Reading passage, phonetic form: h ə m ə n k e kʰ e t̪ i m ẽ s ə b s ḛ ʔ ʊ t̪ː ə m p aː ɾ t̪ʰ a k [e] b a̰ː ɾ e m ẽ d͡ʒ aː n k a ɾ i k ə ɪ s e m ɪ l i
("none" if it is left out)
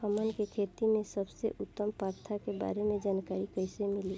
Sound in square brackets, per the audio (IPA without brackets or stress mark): e